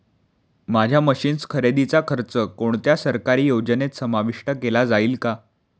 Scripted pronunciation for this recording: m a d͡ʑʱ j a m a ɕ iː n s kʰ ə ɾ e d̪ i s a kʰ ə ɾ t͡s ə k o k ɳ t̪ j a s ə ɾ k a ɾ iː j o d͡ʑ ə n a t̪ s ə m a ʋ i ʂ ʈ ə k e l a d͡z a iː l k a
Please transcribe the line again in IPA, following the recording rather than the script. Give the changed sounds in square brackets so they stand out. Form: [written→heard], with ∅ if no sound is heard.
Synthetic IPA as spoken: m a d͡ʑʱ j a m [a→ə] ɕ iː n s kʰ ə ɾ e d̪ i [s→t͡s] a kʰ ə ɾ t͡s ə k o [k→∅] ɳ t̪ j a s ə ɾ k a ɾ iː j o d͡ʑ ə n [a→e] t̪ s ə m a ʋ i ʂ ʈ ə k e l a d͡z a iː l k a